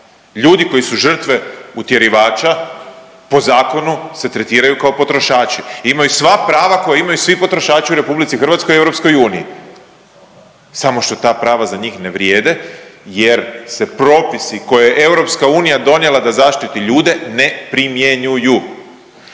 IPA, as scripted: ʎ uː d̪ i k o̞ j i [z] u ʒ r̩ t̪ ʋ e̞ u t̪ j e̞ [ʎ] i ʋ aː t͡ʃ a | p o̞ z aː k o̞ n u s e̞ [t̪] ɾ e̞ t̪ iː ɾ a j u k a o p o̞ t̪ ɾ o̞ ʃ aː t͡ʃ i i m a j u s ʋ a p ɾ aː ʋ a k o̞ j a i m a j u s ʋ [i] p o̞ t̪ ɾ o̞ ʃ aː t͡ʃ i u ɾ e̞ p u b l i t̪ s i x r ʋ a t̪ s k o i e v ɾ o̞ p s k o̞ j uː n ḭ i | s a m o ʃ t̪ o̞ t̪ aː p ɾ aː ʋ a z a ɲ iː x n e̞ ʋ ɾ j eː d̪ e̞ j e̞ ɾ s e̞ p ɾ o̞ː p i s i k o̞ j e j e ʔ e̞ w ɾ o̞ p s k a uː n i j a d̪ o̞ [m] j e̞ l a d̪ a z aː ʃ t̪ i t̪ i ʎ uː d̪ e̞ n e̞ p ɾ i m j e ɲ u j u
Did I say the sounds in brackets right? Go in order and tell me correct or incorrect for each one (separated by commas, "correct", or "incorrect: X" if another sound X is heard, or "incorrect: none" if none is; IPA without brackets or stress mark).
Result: incorrect: s, incorrect: ɾ, correct, correct, incorrect: n